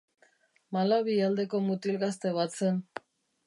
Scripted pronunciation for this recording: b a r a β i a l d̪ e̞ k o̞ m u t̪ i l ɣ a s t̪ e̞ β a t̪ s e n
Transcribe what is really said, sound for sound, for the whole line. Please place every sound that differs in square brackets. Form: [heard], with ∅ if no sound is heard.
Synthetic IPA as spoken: [m] a [l] a β i a l d̪ e̞ k o̞ m u t̪ i l ɣ a s t̪ e̞ β a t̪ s e n